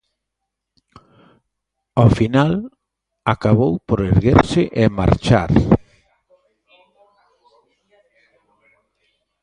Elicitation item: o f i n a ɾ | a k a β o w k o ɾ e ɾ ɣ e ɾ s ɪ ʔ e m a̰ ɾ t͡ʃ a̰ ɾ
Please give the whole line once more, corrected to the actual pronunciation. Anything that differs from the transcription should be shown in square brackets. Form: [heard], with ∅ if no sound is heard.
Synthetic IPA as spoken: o f i n a [l] | a k a β o w [p] o ɾ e ɾ ɣ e ɾ s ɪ ʔ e m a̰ ɾ t͡ʃ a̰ ɾ